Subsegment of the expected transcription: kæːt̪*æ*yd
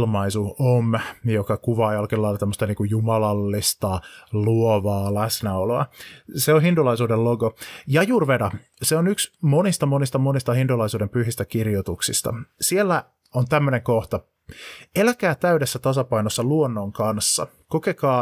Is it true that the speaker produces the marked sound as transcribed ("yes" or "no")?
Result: yes